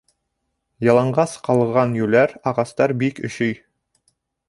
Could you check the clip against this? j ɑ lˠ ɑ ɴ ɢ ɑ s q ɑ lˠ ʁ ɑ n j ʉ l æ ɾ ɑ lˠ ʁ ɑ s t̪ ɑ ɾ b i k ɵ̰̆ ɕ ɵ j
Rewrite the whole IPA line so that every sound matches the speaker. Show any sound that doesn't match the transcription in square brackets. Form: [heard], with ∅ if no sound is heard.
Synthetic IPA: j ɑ lˠ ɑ ɴ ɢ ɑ s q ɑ lˠ ʁ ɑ n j ʉ l æ ɾ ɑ [∅] ʁ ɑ s t̪ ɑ ɾ b i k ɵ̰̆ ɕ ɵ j